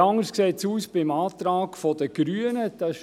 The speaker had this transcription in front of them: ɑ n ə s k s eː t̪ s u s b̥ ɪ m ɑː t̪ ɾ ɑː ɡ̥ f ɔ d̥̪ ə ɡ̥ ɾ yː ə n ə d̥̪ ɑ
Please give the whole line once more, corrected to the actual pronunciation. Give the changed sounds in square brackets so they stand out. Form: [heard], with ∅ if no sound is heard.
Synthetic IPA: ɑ [ŋ] ə s k s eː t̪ s [uː] s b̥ ɪ m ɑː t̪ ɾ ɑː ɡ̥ f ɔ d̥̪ ə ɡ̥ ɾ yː ə n ə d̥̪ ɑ